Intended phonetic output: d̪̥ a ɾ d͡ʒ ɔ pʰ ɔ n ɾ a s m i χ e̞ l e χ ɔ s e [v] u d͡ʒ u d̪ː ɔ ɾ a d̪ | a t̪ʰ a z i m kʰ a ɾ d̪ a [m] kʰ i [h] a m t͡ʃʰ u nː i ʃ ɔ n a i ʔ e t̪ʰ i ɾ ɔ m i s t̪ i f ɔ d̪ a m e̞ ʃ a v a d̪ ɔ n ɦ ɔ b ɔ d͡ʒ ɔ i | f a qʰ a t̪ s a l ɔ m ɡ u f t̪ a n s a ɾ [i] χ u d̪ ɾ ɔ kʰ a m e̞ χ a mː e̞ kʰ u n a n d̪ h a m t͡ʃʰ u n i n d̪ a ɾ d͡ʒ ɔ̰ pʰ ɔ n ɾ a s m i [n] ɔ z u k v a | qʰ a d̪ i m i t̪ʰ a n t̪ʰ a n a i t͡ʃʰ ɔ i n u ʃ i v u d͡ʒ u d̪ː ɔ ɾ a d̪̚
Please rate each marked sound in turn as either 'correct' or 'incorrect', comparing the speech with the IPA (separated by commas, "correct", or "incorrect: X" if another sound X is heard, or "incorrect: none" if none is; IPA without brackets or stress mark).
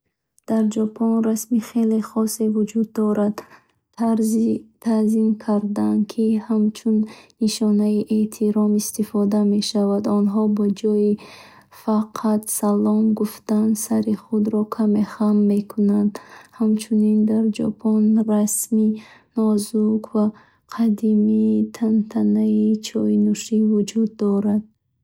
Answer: correct, incorrect: n, correct, correct, correct